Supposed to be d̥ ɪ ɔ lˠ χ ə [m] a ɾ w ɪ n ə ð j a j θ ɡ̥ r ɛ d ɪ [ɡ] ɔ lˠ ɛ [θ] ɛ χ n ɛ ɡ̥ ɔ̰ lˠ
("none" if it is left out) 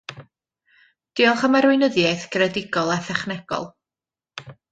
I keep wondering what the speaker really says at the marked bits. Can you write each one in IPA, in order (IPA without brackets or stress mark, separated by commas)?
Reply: m, ɡ, θ